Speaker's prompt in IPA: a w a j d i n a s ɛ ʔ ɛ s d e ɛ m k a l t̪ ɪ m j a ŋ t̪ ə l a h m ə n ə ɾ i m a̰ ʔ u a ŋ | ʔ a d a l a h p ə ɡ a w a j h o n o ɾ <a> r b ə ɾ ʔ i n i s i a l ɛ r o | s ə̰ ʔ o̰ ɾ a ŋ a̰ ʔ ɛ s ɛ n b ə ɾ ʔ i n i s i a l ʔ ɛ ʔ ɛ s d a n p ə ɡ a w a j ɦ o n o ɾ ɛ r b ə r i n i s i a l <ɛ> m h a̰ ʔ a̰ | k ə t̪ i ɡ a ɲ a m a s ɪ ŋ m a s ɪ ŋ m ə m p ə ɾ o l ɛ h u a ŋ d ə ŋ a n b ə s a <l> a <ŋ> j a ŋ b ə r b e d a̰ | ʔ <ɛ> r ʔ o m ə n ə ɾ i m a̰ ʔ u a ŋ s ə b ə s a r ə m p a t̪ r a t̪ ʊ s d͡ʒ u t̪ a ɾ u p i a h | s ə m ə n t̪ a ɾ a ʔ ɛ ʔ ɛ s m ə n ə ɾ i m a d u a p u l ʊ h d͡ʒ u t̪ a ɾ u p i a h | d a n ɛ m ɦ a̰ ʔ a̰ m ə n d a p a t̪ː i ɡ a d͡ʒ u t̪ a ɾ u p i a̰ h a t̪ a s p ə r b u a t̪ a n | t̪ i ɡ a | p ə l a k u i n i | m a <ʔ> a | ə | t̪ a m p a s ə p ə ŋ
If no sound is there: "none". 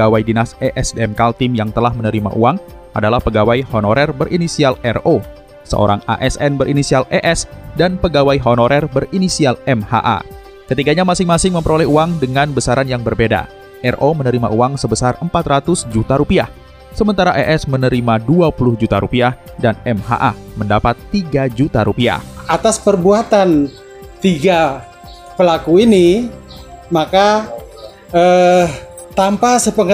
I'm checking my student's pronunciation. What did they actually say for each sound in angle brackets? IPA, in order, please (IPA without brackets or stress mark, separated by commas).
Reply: ɛ, ɛ, ɾ, n, ɛ, k